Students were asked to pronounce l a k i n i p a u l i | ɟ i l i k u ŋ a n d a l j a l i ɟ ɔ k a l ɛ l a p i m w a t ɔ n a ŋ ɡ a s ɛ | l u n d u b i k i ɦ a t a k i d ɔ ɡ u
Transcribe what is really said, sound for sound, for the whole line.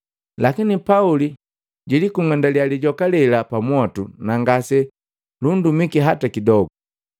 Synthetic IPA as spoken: l a k i n i p a u l i | ɟ i l i k u ŋ a n d a l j a l i ɟ ɔ k a l ɛ l a p a m w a t u n a ŋ ɡ a s ɛ | l u n d u m i k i ɦ a t a k i d ɔ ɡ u